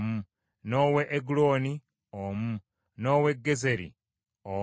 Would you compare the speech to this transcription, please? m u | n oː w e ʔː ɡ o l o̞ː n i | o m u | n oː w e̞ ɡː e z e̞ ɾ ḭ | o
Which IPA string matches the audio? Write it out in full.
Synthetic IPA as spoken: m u | n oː w e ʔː ɡ u l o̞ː n i | o m u | n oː w e̞ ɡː e z e̞ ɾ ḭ | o

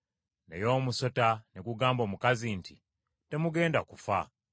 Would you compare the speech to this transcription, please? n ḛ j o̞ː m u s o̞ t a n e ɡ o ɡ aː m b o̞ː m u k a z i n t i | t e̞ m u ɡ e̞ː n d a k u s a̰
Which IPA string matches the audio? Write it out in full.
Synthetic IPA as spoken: n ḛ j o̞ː m u s o̞ t a n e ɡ u ɡ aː m b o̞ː m u k a z i n t i | t e̞ m u ɡ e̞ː n d a k u f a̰

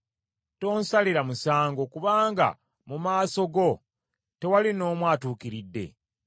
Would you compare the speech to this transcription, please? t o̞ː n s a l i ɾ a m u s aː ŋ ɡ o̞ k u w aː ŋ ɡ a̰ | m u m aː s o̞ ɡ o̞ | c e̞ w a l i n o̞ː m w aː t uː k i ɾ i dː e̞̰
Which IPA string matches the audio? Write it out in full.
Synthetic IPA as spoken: t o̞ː n s a l i ɾ a m u s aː ŋ ɡ o̞ k u β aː ŋ ɡ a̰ | m u m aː s o̞ ɡ o̞ | t e̞ w a l i n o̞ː m w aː t uː k i ɾ i dː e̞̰

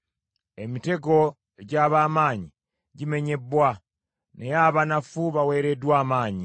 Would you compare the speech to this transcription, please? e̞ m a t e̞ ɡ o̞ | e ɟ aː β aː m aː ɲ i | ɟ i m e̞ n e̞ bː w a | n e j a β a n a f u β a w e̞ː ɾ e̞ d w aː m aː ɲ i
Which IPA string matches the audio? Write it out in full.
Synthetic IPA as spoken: e̞ m i t e̞ ɡ o̞ | e ɟ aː β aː m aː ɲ i | ɟ i m e̞ ɲ e̞ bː w a | n e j a β a n a f u β a w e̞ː ɾ e̞ d w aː m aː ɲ i

